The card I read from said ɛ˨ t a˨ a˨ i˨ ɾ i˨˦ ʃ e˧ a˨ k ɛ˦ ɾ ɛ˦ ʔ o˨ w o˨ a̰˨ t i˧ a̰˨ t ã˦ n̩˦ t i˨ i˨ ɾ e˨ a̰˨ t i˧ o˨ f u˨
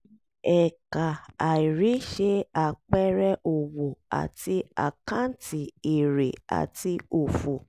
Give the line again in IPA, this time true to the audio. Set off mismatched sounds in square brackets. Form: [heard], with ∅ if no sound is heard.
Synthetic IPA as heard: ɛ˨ [k] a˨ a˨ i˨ ɾ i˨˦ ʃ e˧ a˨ [k͡p] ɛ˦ ɾ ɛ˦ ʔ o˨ w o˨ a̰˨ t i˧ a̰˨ [k] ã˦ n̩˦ t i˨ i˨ ɾ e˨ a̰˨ t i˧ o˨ f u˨